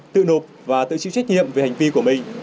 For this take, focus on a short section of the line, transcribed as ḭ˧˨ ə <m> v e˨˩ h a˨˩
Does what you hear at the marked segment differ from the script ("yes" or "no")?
no